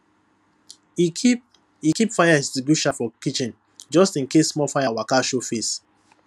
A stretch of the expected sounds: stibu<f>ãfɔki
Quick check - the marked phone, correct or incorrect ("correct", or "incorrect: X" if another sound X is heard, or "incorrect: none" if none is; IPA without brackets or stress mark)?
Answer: incorrect: ʃ